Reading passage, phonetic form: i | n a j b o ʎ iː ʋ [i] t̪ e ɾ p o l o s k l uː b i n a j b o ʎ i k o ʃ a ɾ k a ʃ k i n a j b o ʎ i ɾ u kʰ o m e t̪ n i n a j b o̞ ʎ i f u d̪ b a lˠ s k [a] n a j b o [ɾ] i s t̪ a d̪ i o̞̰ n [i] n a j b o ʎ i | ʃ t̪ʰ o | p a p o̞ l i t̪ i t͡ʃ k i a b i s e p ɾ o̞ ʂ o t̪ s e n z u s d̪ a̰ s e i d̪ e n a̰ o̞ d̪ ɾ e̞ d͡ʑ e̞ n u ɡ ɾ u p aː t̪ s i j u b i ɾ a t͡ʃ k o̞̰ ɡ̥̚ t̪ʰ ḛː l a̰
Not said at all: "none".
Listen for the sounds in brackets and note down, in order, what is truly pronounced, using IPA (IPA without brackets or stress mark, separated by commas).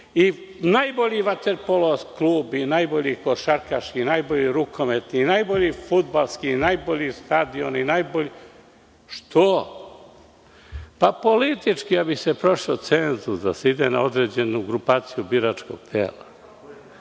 a, i, ʎ, i